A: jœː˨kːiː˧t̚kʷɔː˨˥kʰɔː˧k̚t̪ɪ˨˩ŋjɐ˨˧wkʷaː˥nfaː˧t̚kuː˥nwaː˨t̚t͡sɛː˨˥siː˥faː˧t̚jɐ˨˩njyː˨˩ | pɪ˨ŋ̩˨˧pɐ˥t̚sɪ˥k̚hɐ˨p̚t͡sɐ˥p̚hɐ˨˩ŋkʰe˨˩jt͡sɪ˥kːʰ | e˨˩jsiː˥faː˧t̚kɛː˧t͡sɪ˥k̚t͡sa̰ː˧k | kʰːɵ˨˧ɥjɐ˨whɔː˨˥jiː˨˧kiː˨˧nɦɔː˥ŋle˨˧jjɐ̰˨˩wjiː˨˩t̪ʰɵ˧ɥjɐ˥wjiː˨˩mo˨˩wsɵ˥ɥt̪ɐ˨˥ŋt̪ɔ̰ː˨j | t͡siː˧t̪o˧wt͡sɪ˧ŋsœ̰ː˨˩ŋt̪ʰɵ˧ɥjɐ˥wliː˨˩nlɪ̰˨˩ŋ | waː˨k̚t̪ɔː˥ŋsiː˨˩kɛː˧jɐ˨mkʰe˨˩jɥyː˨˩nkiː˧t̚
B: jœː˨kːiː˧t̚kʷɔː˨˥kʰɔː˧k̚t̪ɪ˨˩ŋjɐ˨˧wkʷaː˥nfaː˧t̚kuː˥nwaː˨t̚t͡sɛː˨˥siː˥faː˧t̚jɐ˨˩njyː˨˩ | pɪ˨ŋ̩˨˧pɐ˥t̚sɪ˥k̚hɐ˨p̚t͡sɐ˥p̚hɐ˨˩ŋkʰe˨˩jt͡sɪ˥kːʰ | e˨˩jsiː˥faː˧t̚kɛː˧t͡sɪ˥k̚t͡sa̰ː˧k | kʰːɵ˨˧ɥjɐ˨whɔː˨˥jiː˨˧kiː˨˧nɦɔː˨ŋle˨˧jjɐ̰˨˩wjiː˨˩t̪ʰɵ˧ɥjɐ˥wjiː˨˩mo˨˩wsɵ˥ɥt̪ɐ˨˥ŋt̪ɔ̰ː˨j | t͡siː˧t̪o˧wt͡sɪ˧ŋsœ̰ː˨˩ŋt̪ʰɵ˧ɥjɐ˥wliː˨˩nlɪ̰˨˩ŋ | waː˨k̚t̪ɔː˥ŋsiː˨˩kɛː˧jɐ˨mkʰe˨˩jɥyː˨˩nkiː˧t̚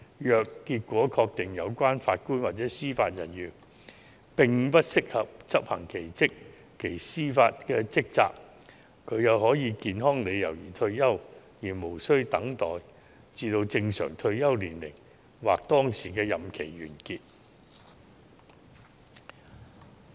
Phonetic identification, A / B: A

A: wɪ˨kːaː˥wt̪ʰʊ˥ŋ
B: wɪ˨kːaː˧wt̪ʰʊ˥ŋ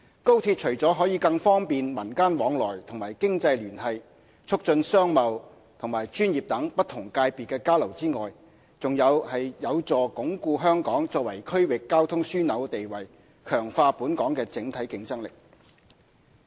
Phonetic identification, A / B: A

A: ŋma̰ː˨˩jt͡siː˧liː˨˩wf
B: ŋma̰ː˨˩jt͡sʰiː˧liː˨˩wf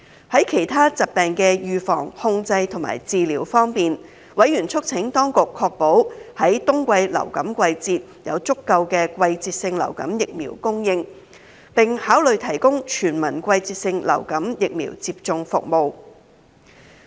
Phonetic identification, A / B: A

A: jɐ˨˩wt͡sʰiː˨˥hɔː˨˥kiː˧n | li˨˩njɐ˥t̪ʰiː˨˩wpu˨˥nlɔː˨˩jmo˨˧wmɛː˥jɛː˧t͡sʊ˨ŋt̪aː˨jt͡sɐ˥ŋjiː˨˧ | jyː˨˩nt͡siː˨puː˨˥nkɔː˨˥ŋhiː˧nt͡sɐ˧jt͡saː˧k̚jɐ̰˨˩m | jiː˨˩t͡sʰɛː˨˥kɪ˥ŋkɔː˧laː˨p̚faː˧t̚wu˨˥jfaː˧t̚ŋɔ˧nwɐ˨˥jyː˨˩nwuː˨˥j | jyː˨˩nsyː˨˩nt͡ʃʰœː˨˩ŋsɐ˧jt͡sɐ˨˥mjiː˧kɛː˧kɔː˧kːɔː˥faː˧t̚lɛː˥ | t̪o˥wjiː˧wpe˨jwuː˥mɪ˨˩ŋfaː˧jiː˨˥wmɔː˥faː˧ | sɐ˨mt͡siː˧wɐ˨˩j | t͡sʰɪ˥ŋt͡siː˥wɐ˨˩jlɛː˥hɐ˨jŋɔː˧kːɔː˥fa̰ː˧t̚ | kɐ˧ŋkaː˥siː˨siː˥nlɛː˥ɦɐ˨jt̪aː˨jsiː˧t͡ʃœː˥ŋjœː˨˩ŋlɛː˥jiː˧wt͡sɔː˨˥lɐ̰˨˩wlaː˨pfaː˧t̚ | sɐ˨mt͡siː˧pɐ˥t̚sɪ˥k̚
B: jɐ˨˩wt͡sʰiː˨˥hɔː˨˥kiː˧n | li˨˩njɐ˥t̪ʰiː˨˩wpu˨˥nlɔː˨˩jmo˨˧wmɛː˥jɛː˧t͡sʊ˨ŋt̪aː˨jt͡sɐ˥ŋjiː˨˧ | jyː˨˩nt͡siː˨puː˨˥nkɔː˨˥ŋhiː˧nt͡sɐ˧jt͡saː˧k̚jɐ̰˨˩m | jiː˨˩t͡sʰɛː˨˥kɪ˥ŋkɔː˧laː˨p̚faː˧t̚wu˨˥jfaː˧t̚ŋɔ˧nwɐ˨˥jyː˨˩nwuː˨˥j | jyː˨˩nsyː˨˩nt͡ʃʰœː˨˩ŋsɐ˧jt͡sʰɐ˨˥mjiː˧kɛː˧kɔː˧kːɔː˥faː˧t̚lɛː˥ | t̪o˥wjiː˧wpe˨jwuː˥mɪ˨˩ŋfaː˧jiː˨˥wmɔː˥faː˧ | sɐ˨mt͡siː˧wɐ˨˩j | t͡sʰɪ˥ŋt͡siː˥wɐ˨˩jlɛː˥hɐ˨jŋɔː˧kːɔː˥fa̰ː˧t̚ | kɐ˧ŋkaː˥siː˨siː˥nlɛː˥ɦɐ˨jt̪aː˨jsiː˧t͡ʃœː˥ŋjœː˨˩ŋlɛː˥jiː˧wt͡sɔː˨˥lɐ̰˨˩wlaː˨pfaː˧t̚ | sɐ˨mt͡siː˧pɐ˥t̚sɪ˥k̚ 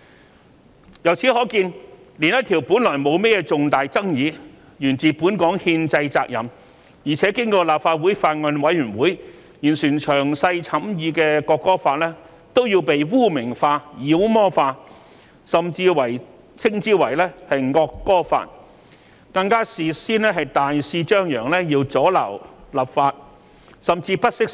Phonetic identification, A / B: B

